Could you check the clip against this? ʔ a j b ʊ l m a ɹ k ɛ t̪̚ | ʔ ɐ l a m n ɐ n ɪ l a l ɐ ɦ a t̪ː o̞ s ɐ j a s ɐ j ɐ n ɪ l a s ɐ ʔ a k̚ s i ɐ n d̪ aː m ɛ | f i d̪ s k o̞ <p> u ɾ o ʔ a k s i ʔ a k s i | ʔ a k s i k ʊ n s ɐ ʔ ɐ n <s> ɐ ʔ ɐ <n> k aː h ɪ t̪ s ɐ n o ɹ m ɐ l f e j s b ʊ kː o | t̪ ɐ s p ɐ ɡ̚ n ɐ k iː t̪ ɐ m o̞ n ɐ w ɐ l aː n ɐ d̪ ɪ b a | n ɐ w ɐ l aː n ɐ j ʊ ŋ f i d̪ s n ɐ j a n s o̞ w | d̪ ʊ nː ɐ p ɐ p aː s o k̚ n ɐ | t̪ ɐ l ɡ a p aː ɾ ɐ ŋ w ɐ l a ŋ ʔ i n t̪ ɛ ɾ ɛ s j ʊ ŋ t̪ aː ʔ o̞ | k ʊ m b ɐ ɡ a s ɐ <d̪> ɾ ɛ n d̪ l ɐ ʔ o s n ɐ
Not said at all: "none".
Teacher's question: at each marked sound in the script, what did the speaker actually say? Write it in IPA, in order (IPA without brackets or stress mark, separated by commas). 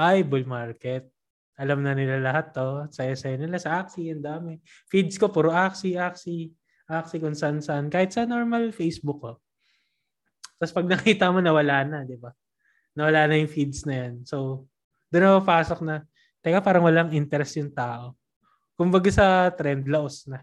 p, s, n, t̪